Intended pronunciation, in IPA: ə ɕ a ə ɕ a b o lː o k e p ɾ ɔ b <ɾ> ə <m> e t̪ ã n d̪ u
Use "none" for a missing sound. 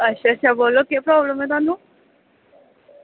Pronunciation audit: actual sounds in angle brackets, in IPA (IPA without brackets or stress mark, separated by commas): l, m